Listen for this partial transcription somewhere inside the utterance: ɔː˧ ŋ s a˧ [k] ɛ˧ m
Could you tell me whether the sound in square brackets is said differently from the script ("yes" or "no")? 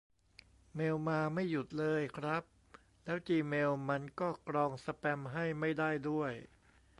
yes